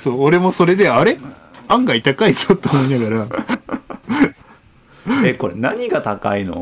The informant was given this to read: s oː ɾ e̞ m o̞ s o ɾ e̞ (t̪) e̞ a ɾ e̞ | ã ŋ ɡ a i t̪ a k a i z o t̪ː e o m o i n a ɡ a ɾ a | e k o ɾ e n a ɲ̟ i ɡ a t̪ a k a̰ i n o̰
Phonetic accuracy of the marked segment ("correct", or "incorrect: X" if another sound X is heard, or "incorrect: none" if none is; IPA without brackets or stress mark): incorrect: d̪